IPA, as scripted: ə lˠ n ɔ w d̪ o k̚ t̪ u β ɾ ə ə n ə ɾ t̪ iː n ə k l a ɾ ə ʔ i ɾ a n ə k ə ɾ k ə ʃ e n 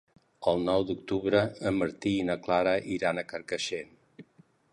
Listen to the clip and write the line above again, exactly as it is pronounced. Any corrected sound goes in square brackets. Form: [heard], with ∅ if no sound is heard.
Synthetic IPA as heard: ə lˠ n ɔ w d̪ [u] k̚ t̪ u β ɾ ə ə [m] ə ɾ t̪ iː n ə k l a ɾ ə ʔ i ɾ a n ə k ə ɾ k ə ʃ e n